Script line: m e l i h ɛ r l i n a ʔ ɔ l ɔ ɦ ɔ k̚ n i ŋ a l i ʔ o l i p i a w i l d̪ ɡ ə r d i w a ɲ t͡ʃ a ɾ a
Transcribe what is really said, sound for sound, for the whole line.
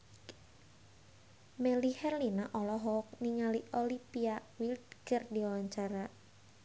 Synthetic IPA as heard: m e l i h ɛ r l i n a ʔ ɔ l ɔ ɦ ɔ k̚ n i ŋ a l i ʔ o l i p i a w i l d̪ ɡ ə r d i w a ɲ t͡ʃ a ɾ a